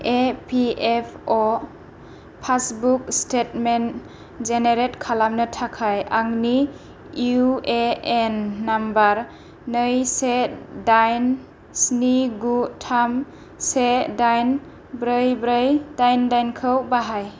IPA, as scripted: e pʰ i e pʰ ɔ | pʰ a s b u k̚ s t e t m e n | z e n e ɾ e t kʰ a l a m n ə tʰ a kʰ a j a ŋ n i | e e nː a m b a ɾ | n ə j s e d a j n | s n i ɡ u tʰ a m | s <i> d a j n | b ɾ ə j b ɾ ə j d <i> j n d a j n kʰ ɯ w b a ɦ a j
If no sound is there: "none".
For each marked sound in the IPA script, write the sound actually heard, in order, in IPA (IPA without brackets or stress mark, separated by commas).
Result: e, a